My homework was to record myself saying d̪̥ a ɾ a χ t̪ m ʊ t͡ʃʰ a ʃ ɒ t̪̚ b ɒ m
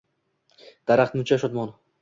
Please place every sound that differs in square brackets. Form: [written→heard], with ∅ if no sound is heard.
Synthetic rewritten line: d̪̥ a ɾ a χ t̪ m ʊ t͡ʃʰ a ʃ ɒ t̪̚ [b→m] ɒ [m→n]